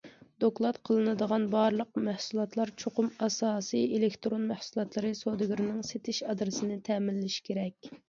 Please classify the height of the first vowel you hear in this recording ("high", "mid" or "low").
mid